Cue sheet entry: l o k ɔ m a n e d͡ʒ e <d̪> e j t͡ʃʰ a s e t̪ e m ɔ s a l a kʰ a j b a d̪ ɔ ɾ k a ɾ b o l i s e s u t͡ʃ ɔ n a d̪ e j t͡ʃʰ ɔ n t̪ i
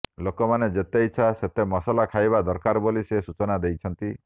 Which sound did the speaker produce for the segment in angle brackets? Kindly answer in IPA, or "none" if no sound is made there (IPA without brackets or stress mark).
t̪